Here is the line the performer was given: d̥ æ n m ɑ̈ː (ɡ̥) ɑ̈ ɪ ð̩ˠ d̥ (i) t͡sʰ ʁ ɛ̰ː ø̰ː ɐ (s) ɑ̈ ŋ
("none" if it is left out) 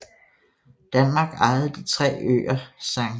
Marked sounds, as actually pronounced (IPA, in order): ɡ̥, i, s

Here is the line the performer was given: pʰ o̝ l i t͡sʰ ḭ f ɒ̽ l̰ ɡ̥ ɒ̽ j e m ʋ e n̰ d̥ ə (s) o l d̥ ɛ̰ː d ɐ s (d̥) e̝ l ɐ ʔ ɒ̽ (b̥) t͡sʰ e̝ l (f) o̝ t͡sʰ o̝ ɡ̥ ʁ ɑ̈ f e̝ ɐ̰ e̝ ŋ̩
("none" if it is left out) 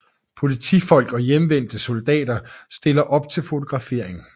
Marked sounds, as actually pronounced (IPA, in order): s, d̥, b̥, f

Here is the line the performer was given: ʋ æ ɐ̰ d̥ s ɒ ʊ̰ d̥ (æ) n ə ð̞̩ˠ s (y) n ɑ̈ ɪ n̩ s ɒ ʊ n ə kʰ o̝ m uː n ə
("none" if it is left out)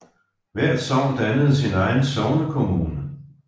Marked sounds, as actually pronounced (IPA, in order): æ, i

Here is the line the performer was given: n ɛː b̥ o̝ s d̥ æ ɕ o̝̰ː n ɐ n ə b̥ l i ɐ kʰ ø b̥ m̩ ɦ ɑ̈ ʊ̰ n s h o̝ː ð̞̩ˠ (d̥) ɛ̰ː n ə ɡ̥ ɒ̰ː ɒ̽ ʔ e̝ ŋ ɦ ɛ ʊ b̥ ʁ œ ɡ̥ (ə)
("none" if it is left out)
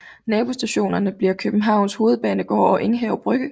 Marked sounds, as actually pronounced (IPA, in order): b̥, ə

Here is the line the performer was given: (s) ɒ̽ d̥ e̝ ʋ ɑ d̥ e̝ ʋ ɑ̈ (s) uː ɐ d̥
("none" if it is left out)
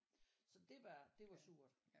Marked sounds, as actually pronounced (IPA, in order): s, s

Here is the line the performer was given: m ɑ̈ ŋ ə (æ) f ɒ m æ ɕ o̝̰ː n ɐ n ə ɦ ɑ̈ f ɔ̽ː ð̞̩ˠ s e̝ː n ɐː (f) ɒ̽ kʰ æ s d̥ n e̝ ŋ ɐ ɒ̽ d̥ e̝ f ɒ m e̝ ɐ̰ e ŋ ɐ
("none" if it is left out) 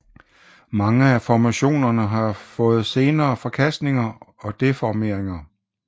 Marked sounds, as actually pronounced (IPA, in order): æ, f

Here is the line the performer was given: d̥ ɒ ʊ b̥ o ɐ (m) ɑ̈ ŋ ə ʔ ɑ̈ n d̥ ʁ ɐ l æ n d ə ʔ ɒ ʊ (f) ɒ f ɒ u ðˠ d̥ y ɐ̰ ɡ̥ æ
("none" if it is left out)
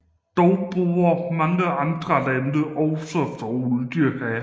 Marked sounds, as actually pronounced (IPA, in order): m, s

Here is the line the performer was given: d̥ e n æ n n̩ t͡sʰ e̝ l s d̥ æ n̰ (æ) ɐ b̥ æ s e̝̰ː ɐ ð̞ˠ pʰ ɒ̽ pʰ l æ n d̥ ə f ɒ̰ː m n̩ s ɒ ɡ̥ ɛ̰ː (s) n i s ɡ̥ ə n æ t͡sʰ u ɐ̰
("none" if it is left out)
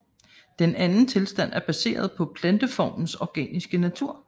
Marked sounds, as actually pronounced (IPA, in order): æ, none

